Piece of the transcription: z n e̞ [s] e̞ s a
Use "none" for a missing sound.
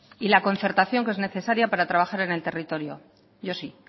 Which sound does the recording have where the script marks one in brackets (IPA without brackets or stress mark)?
θ